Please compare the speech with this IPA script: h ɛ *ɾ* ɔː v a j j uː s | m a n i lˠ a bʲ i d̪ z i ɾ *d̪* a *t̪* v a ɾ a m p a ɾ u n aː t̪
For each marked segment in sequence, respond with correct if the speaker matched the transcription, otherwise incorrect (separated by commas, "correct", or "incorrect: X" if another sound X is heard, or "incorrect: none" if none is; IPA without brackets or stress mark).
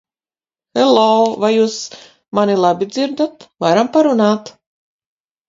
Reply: incorrect: l, correct, correct